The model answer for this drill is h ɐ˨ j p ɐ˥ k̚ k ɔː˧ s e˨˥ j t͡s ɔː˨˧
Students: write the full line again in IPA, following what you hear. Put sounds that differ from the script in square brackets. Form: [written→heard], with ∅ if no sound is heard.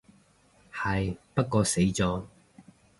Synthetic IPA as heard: h ɐ˨ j p ɐ˥ [k̚→t̚] k ɔː˧ s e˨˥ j t͡s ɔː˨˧